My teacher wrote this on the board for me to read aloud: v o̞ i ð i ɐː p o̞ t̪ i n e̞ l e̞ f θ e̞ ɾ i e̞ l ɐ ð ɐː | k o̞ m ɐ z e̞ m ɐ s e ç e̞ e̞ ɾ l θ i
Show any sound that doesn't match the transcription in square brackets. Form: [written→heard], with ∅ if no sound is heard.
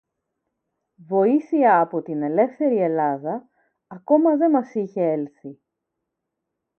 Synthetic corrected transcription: v o̞ i [ð→θ] i ɐː p o̞ t̪ i n e̞ l e̞ f θ e̞ ɾ i e̞ l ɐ ð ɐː | k o̞ m ɐ [z→ð] e̞ m ɐ s [e→i] ç e̞ e̞ [ɾ→∅] l θ i